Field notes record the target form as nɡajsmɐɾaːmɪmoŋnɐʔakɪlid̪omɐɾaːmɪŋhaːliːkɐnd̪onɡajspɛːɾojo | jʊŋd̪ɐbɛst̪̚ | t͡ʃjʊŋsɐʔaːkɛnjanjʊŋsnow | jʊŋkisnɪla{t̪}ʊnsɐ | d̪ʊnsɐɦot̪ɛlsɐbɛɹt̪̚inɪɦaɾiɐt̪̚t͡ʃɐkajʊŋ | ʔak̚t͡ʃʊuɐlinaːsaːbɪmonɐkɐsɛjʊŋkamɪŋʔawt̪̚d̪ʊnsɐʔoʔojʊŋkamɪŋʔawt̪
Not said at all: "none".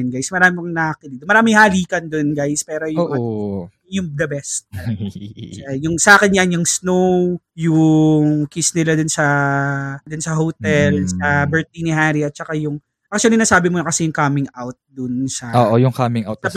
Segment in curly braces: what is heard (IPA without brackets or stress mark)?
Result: d̪